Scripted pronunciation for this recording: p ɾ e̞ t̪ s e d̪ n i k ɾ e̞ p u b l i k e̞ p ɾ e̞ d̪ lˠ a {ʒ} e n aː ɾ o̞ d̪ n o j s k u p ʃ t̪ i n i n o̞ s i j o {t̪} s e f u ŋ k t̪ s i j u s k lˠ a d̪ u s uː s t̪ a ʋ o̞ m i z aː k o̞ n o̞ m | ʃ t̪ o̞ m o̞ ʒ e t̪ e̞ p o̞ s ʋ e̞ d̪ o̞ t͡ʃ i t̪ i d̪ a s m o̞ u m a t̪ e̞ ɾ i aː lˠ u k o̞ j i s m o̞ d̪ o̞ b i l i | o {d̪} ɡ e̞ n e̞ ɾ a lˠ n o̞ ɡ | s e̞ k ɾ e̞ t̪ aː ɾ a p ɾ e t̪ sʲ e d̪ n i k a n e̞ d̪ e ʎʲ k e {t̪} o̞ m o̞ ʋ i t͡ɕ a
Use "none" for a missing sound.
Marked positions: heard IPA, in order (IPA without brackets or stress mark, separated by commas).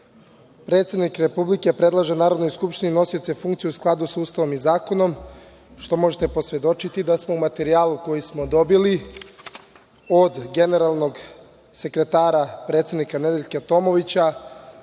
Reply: ʒ, t̪, d̪, t̪